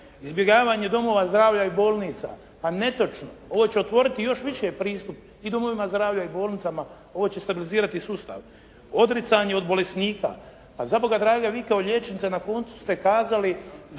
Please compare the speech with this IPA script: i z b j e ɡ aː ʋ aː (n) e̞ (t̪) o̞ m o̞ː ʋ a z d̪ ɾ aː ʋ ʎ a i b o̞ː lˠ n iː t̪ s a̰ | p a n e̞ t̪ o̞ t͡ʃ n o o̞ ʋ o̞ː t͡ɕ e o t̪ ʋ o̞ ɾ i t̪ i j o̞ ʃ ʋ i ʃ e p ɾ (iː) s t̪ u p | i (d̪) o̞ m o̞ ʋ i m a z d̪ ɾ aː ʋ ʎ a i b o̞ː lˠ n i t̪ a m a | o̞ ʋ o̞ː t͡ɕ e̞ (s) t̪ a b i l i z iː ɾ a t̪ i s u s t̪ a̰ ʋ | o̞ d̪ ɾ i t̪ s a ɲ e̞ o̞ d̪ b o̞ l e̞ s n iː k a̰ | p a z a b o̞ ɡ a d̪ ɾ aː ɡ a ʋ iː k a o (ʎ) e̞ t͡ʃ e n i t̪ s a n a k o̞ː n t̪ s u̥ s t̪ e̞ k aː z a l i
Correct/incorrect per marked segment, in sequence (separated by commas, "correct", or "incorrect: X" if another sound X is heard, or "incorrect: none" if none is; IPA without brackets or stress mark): incorrect: ɲ, incorrect: d̪, correct, correct, correct, correct